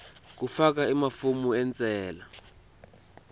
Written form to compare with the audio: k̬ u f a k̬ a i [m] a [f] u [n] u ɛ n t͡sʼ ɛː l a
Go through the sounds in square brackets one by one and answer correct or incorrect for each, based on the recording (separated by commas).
correct, correct, incorrect